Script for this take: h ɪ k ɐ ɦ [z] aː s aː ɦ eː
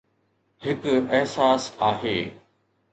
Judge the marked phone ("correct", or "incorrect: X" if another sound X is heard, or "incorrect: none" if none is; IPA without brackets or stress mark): incorrect: s